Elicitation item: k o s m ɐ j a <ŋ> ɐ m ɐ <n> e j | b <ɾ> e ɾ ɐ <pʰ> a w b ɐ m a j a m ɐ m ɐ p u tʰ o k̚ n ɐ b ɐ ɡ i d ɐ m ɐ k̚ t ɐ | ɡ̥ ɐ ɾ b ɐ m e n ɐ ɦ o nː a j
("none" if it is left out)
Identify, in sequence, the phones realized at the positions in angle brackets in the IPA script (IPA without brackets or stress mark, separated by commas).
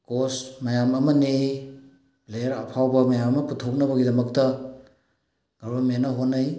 m, n, l, pʰ